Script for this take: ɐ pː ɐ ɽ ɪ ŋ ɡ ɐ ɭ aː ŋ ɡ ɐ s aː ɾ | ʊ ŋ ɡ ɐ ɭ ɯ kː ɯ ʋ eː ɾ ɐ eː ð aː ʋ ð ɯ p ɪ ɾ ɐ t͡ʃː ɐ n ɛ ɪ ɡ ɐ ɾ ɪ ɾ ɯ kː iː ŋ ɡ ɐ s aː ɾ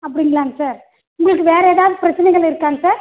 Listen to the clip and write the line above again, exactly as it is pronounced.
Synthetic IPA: ɐ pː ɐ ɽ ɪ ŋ ɡ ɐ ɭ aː ŋ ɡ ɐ s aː ɾ | ʊ ŋ ɡ ɐ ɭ ɯ kː ɯ ʋ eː ɾ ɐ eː ð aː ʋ ð ɯ p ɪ ɾ ɐ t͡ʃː ɐ n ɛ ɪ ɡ ɐ ɭ ɪ ɾ ɯ kː aː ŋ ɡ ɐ s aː ɾ

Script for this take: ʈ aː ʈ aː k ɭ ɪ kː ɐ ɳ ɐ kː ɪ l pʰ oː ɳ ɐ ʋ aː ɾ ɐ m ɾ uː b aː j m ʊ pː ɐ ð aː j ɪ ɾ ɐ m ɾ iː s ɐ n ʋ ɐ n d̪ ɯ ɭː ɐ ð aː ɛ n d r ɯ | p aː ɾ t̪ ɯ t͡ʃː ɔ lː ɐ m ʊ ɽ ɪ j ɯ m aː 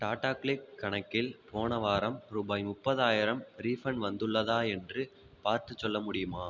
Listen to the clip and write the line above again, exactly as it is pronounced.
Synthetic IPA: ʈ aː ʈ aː k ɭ ɪ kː ɐ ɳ ɐ kː ɪ l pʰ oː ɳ ɐ ʋ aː ɾ ɐ m ɾ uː b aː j m ʊ pː ɐ ð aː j ɪ ɾ ɐ m ɾ iː f ɐ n ʋ ɐ n d̪ ɯ ɭː ɐ ð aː ɛ n d r ɯ | p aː ɾ t̪ ɯ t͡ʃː ɔ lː ɐ m ʊ ɽ ɪ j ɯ m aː

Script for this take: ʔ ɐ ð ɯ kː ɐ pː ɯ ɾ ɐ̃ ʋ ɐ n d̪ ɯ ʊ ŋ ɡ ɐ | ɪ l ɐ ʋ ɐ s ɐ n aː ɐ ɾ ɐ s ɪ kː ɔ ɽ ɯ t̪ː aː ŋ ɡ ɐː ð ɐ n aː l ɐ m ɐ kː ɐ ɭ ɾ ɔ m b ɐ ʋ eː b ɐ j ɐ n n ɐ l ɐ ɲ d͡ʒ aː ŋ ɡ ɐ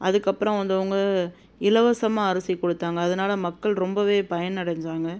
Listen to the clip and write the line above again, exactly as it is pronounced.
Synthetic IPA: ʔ ɐ ð ɯ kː ɐ pː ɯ ɾ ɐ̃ ʋ ɐ n d̪ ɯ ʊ ŋ ɡ ɐ | ɪ l ɐ ʋ ɐ s ɐ m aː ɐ ɾ ɐ s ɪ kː ɔ ɽ ɯ t̪ː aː ŋ ɡ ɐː ð ɐ n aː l ɐ m ɐ kː ɐ ɭ ɾ ɔ m b ɐ ʋ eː p ɐ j ɐ n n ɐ ɽ ɐ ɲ d͡ʒ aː ŋ ɡ ɐ

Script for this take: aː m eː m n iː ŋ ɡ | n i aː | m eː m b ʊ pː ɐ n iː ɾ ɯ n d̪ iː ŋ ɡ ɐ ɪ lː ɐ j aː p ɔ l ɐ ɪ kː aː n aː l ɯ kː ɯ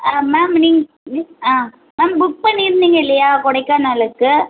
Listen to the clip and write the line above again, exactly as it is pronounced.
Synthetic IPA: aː m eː m n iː ŋ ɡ | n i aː | m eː m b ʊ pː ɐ n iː ɾ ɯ n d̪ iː ŋ ɡ ɐ ɪ lː ɐ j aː k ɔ ɽ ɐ ɪ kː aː n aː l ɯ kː ɯ

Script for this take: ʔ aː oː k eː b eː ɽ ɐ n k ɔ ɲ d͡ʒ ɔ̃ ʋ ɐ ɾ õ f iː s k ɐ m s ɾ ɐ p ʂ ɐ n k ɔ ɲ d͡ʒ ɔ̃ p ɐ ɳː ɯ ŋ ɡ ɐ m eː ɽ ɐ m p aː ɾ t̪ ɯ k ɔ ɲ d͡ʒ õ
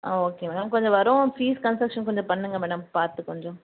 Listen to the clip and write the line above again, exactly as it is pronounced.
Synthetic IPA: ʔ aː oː k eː m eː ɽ ɐ m k ɔ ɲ d͡ʒ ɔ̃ ʋ ɐ ɾ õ f iː s k ɐ n s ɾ ɐ k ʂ ɐ n k ɔ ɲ d͡ʒ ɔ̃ p ɐ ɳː ɯ ŋ ɡ ɐ m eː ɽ ɐ m p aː ɾ t̪ ɯ k ɔ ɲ d͡ʒ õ

